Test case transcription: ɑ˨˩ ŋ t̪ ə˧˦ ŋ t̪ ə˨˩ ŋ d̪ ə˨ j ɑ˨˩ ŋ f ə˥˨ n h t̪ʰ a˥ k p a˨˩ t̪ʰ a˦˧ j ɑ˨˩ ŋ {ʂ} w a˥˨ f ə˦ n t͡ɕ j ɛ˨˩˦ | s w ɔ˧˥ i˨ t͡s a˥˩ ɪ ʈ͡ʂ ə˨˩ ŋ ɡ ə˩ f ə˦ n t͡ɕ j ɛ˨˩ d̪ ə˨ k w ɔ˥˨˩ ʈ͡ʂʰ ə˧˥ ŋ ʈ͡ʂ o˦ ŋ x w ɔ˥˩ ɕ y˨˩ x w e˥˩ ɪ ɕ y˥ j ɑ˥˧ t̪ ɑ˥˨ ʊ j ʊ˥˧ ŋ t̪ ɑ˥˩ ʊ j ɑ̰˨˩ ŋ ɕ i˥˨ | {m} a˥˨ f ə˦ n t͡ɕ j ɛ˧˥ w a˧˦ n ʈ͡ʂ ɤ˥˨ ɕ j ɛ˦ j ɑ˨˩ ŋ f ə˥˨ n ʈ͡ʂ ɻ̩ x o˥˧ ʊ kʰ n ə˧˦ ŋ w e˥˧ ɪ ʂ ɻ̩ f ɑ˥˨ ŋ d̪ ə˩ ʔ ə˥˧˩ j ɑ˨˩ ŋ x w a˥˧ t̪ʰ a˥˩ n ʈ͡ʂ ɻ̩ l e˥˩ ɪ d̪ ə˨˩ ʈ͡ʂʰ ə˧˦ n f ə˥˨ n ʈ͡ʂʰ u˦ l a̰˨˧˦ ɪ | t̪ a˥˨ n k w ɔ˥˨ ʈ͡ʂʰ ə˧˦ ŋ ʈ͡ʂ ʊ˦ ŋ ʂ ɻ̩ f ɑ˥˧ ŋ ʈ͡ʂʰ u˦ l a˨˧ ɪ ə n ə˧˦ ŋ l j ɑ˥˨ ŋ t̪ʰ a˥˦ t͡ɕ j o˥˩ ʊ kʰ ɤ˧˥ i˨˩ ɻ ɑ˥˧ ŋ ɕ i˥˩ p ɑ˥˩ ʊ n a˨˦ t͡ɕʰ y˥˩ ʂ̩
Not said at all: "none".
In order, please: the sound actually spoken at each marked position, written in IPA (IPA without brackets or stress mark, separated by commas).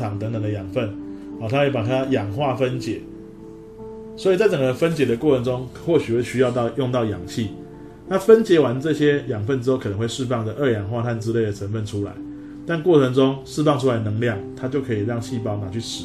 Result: x, n